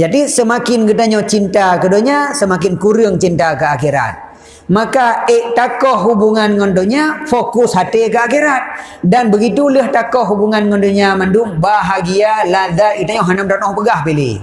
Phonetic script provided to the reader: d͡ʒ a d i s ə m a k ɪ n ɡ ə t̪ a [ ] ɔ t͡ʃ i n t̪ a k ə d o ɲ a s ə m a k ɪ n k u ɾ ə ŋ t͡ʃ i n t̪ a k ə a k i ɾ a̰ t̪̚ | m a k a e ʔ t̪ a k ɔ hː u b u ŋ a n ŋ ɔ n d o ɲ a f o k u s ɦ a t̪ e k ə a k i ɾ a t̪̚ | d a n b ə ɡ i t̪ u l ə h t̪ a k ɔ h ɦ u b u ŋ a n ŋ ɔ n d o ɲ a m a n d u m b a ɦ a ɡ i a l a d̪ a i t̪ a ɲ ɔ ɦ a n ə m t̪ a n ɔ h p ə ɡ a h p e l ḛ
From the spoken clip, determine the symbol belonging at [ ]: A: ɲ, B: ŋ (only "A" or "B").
A